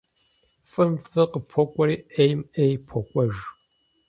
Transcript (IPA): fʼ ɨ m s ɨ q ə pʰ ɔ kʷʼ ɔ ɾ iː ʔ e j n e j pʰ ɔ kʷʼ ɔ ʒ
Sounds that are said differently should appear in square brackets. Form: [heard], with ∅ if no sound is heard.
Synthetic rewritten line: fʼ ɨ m [f] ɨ q ə pʰ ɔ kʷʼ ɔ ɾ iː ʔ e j [m] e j pʰ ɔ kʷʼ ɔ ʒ